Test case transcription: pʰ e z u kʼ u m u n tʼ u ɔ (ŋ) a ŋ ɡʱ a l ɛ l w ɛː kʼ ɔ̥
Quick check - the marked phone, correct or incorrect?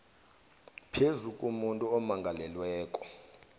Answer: incorrect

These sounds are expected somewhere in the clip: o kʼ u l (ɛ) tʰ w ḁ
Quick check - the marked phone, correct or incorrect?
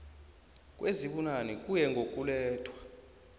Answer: incorrect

